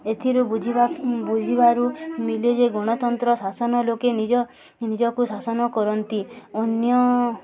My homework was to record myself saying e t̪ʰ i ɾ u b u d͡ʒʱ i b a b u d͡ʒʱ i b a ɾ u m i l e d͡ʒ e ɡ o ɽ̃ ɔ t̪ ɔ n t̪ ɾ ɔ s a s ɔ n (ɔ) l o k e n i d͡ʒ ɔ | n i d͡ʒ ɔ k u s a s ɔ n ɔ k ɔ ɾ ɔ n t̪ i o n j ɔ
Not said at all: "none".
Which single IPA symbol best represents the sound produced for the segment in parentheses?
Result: ɔ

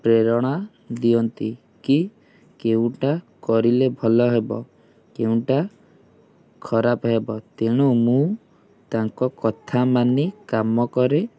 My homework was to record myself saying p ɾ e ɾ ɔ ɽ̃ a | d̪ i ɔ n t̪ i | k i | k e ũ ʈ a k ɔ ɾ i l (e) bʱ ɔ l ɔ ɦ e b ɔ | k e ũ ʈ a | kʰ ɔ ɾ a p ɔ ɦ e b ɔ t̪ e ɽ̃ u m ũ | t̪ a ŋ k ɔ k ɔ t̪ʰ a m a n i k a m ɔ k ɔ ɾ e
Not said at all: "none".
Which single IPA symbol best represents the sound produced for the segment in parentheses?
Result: e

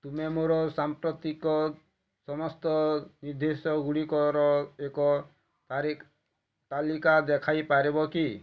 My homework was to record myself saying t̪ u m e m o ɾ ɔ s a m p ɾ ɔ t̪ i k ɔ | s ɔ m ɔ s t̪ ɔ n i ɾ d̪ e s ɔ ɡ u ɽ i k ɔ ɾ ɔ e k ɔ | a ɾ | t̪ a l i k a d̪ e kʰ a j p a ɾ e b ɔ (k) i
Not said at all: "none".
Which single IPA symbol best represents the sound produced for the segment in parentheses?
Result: k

